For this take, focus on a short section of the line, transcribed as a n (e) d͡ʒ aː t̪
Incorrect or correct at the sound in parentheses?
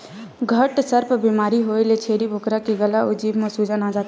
incorrect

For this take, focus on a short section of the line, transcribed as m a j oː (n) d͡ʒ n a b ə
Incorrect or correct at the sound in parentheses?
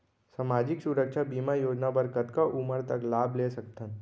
incorrect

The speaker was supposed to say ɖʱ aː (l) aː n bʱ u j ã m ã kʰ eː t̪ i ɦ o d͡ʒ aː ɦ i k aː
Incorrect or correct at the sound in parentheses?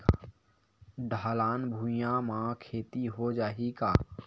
correct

